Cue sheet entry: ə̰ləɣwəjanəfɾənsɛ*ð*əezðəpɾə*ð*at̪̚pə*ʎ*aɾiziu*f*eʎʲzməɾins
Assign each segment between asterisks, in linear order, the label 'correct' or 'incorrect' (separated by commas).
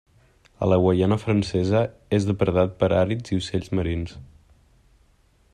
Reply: incorrect, correct, incorrect, incorrect